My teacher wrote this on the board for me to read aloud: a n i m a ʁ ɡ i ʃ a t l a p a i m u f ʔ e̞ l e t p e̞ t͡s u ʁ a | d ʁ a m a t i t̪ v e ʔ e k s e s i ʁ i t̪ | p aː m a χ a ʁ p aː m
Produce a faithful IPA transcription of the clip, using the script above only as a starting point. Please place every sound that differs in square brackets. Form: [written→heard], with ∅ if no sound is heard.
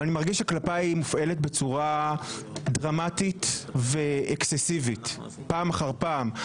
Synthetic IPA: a n i m a ʁ ɡ i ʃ a [t→k] l a p a i m u f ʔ e̞ l e t [p→b] e̞ t͡s u ʁ a | d ʁ a m a t i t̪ v e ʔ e k s e s i [ʁ→v] i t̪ | p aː m a χ a ʁ p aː m